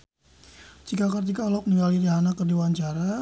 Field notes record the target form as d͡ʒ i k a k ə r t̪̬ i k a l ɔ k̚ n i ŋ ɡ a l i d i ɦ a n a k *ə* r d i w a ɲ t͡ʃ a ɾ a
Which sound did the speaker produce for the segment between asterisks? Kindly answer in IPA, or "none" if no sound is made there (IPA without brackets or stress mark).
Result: ə